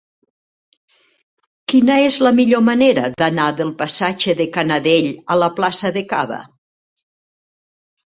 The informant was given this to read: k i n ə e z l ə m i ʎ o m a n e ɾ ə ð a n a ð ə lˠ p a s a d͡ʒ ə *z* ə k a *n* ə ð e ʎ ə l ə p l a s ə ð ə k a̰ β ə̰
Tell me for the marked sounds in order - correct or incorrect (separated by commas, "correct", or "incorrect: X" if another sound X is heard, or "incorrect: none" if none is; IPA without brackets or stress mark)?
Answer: incorrect: ð, correct